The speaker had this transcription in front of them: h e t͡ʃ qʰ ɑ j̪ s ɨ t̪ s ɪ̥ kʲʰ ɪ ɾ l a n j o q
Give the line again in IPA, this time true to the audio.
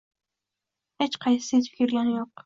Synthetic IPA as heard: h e t͡ʃ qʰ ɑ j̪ s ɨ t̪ f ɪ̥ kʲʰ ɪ ɾ l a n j o q